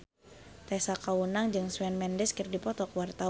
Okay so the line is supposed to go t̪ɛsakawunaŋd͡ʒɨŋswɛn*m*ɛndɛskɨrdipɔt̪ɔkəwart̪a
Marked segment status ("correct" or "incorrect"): correct